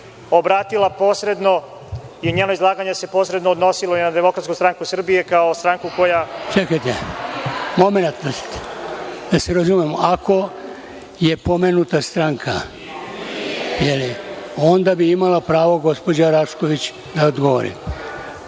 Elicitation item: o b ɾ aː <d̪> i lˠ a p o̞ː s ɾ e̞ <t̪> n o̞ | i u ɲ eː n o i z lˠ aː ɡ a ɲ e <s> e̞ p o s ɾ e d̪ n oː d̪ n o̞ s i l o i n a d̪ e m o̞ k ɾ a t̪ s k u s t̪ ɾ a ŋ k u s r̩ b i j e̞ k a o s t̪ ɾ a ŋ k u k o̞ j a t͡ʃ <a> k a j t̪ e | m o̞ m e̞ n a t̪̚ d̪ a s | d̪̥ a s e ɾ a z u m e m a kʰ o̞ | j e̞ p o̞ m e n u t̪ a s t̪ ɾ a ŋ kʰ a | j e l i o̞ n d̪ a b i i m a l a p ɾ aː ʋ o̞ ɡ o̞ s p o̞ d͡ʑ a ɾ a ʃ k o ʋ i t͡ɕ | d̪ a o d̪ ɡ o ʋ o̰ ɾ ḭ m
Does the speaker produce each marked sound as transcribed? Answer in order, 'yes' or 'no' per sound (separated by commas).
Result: no, no, yes, no